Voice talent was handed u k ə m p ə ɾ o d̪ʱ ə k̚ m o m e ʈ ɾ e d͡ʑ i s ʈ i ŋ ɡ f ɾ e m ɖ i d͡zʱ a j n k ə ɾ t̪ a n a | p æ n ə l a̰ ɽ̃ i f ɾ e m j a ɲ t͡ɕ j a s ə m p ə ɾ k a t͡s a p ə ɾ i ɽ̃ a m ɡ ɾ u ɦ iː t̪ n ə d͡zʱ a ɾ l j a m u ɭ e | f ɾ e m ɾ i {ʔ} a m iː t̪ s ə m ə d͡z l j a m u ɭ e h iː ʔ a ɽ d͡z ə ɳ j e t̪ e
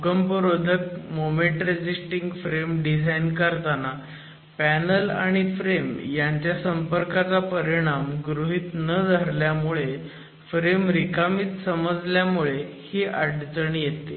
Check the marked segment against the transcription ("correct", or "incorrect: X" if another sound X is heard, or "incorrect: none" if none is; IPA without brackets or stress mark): incorrect: k